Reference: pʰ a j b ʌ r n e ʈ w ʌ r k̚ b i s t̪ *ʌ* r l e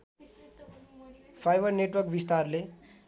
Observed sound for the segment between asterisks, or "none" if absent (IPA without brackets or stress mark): a